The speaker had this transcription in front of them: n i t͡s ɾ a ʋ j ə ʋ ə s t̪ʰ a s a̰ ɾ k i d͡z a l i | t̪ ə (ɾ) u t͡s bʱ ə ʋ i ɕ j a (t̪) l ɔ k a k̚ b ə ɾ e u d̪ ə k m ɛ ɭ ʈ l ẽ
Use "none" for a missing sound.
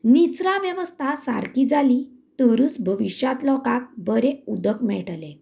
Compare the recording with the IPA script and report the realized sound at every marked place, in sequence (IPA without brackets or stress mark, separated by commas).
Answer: ɾ, t̪